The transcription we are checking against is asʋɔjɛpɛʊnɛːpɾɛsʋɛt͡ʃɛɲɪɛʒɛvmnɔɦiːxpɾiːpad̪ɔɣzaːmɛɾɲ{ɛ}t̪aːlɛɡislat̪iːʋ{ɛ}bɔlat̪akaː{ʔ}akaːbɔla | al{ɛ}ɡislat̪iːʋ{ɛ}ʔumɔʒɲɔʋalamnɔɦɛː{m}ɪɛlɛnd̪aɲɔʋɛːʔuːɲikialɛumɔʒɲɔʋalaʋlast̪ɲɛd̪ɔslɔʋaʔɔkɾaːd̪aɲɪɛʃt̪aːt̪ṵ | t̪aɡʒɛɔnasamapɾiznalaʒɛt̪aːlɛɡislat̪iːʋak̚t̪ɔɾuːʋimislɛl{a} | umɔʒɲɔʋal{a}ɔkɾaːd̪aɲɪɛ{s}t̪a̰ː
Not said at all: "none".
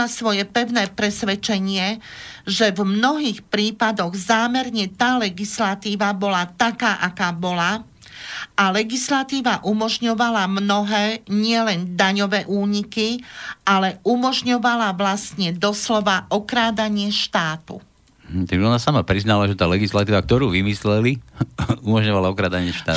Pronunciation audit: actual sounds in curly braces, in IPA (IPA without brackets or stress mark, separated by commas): ɛ, a, ʔ, ɛ, a, ɲ, i, a, ʃ